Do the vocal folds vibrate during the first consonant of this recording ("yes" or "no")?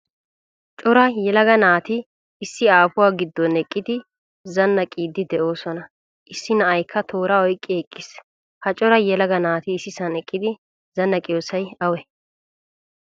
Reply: no